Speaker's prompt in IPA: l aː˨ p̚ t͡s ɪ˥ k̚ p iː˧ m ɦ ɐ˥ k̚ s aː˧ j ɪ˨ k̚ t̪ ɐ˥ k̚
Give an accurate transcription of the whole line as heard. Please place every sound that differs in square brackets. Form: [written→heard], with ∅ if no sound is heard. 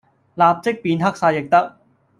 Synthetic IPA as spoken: l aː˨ p̚ t͡s ɪ˥ k̚ p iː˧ [m→n] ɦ ɐ˥ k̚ s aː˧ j ɪ˨ k̚ t̪ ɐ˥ k̚

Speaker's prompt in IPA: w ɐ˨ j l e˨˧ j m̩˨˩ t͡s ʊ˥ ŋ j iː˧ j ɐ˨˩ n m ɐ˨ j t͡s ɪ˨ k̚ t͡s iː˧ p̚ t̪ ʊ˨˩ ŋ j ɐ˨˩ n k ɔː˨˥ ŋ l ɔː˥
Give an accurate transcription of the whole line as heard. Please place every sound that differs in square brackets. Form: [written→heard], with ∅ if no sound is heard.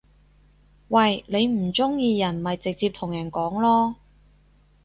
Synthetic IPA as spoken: w ɐ˨ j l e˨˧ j m̩˨˩ t͡s ʊ˥ ŋ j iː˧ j ɐ˨˩ n m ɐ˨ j t͡s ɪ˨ k̚ t͡s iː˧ p̚ [t̪→t̪ʰ] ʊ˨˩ ŋ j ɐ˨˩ n k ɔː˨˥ ŋ l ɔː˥

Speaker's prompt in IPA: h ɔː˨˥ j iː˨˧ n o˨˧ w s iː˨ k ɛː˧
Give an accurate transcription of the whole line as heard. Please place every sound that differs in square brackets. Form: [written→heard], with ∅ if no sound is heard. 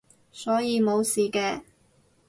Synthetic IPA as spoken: [h→s] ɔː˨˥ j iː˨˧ [n→m] o˨˧ w s iː˨ k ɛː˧

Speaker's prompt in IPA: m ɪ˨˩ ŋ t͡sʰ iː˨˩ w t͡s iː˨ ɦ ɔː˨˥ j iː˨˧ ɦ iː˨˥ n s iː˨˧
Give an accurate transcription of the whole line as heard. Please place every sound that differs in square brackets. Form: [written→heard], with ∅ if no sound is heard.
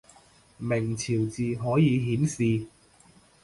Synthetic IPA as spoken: m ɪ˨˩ ŋ t͡sʰ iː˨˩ w t͡s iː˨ ɦ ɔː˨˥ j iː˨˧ ɦ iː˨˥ [n→m] s iː˨˧

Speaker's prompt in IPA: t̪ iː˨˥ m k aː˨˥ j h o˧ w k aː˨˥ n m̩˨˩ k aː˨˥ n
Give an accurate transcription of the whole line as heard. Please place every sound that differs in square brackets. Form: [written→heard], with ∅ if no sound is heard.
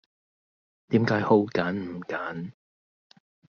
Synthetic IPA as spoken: t̪ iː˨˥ m k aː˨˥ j h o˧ w k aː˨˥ n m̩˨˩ k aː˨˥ n

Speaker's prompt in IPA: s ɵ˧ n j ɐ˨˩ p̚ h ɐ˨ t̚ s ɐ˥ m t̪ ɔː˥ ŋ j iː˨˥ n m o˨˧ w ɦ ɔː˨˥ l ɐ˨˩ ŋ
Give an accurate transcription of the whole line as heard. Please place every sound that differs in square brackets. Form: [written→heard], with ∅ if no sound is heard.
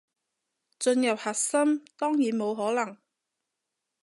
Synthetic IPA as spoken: [s→t͡s] ɵ˧ n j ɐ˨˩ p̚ h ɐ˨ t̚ s ɐ˥ m t̪ ɔː˥ ŋ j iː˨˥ n m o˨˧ w ɦ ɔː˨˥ l ɐ˨˩ ŋ

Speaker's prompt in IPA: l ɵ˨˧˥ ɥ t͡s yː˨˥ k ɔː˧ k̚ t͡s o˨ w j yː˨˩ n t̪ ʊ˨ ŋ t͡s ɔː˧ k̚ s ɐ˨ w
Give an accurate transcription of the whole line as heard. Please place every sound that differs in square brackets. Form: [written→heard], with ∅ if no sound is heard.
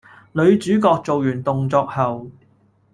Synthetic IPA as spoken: l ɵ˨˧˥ ɥ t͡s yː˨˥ k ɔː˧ k̚ t͡s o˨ w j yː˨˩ n t̪ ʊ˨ ŋ t͡s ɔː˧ k̚ [s→h] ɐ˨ w

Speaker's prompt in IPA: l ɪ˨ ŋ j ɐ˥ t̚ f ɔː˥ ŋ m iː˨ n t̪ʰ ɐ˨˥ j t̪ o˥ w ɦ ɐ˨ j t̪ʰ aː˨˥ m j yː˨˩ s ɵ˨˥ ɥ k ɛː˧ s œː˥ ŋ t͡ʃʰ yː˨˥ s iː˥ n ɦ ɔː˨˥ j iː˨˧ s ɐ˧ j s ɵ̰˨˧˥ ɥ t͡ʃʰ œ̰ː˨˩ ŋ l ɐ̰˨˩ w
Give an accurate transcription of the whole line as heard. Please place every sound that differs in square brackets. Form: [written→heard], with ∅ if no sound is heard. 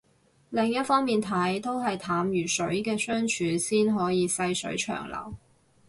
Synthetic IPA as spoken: l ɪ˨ ŋ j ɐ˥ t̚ f ɔː˥ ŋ m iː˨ n t̪ʰ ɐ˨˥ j t̪ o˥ w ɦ ɐ˨ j t̪ʰ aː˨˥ m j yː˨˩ s ɵ˨˥ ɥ k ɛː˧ s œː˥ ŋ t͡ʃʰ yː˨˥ s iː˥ n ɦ ɔː˨˥ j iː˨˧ s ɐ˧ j s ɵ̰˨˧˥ ɥ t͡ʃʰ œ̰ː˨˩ ŋ l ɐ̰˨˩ w

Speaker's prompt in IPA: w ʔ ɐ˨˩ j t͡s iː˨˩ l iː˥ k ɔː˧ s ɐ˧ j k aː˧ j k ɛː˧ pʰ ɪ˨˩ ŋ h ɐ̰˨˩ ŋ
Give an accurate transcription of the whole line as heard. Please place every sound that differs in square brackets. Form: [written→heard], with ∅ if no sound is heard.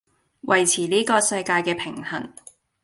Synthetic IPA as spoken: w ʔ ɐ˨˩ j [t͡s→t͡sʰ] iː˨˩ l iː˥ k ɔː˧ s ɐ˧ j k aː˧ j k ɛː˧ pʰ ɪ˨˩ ŋ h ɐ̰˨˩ [ŋ→n]

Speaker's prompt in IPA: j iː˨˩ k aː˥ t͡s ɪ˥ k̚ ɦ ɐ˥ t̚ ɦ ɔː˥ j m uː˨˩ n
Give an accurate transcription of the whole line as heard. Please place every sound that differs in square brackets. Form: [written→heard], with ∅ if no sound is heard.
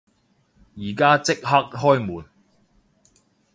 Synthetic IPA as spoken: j iː˨˩ k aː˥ t͡s ɪ˥ k̚ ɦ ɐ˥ [t̚→k̚] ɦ ɔː˥ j m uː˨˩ n

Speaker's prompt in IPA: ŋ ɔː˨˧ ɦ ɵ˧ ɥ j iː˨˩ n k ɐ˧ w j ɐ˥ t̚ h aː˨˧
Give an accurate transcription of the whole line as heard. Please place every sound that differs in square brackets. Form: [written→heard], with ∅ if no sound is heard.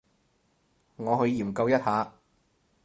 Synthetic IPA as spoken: ŋ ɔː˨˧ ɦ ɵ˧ ɥ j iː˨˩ [n→m] k ɐ˧ w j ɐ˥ t̚ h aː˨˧

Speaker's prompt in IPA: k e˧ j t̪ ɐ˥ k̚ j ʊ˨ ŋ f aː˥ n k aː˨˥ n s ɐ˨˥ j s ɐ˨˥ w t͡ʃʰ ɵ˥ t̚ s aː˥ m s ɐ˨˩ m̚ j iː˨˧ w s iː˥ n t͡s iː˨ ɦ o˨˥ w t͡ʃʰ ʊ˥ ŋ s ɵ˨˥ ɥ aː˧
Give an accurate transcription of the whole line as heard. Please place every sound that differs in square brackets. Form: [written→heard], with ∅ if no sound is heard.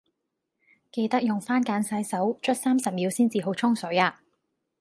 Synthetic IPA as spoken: k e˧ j t̪ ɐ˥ k̚ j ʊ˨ ŋ f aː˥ n k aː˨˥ n s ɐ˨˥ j s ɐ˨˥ w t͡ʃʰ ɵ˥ t̚ s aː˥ m s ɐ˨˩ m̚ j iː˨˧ w s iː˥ n t͡s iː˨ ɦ o˨˥ w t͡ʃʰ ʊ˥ ŋ s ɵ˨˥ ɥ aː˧

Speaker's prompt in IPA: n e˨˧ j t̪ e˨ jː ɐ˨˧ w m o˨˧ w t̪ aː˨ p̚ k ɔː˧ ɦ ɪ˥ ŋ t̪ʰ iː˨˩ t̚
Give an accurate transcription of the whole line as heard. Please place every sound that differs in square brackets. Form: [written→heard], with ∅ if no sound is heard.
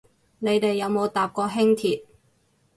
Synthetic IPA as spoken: n e˨˧ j t̪ e˨ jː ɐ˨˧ w m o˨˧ w t̪ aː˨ p̚ k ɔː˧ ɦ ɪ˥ ŋ t̪ʰ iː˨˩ t̚

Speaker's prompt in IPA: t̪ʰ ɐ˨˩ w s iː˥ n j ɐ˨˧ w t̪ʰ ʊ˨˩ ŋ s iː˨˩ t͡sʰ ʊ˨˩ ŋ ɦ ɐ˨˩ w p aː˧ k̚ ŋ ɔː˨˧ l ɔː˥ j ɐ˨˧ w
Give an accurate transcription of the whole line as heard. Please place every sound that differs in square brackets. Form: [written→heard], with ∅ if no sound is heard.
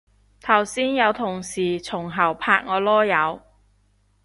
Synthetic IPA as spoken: t̪ʰ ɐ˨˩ w s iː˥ n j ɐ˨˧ w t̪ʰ ʊ˨˩ ŋ s iː˨˩ t͡sʰ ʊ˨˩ ŋ ɦ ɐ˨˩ w [p→pʰ] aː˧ k̚ ŋ ɔː˨˧ l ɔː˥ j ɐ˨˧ w

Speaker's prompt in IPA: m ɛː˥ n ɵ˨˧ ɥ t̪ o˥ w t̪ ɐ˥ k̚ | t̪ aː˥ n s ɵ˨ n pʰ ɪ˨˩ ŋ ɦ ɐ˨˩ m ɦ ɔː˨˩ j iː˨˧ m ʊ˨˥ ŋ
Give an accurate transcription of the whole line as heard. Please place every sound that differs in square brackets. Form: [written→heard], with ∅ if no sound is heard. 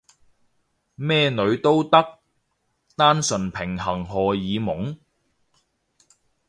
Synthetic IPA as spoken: m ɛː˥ n ɵ˨˧ ɥ t̪ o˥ w t̪ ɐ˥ k̚ | t̪ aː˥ n s ɵ˨ n pʰ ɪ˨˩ ŋ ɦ ɐ˨˩ [m→ŋ] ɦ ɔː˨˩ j iː˨˧ m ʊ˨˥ ŋ

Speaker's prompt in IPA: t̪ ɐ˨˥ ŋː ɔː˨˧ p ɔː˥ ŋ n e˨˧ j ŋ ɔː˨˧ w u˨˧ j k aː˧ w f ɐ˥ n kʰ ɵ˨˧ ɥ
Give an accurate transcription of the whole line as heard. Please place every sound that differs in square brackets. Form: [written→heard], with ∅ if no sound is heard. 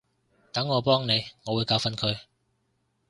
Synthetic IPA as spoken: t̪ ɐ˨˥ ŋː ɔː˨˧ p ɔː˥ ŋ n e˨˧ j ŋ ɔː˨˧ w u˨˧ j k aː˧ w f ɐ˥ n kʰ ɵ˨˧ ɥ

